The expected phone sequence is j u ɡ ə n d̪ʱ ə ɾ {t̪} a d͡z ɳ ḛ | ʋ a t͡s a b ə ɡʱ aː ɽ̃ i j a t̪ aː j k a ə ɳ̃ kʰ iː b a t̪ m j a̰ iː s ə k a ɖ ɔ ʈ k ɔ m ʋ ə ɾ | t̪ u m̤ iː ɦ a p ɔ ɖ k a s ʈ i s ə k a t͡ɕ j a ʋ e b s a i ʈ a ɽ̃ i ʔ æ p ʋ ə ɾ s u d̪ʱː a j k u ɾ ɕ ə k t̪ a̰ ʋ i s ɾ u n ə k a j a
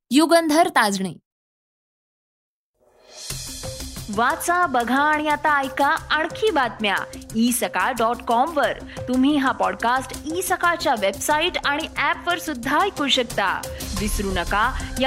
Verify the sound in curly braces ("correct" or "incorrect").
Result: correct